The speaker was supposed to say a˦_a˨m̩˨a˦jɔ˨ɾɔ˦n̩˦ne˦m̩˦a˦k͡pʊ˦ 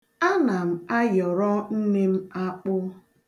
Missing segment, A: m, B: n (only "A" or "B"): B